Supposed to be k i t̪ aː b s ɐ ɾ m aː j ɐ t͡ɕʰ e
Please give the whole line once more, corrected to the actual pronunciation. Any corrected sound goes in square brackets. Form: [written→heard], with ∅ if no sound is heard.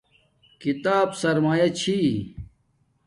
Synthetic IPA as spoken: k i t̪ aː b s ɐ ɾ m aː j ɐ t͡ɕʰ [e→i]